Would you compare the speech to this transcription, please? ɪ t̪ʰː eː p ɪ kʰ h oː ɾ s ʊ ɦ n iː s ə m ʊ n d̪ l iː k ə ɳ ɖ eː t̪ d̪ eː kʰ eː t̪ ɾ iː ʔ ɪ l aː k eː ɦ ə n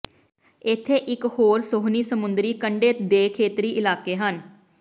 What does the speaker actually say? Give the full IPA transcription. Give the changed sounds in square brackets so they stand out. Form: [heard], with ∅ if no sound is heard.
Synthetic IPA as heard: ɪ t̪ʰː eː [ʔ] ɪ [k] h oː ɾ s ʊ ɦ n iː s ə m ʊ n d̪ [ɾ] iː k ə ɳ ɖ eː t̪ d̪ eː kʰ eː t̪ ɾ iː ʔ ɪ l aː k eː ɦ ə n